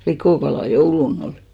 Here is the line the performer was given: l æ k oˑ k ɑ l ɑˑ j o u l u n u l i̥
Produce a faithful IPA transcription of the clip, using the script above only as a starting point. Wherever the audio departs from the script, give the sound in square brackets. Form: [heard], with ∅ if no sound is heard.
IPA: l [i] k oˑ k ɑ l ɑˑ j o u l u n [o] l i̥